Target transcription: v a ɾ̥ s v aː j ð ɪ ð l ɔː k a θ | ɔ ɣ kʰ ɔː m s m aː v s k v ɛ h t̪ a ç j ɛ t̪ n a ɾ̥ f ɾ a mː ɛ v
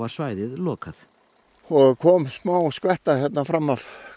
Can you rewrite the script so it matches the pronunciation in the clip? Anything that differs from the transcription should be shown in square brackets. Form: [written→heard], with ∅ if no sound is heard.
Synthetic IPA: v a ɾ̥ s v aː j ð ɪ ð l ɔː k a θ | ɔ ɣ kʰ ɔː m s m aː [v→w] s k v ɛ h t̪ a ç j ɛ t̪ n a [ɾ̥→∅] f ɾ a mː [ɛ→a] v